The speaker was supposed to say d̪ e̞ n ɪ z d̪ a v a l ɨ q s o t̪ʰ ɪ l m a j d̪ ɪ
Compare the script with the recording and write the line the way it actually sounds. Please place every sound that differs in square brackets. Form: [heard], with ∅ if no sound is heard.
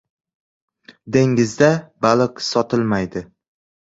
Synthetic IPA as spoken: d̪ e̞ [ŋ] ɪ z d̪ a [b] a l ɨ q s [ɒ] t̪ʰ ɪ l m a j d̪ ɪ